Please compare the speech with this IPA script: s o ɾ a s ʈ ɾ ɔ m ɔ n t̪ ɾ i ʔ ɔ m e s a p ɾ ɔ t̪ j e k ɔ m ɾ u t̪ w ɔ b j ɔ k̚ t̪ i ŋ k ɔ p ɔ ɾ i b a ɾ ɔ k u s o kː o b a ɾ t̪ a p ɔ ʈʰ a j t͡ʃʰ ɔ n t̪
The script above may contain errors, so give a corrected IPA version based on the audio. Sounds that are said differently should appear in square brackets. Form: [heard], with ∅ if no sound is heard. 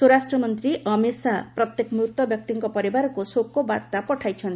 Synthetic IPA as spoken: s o ɾ a s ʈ ɾ ɔ m ɔ n t̪ ɾ i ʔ ɔ m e s a p ɾ ɔ t̪ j e k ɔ m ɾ u t̪ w ɔ b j ɔ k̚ t̪ i ŋ k ɔ p ɔ ɾ i b a ɾ ɔ k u s o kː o b a ɾ t̪ a p ɔ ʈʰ a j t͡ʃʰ ɔ n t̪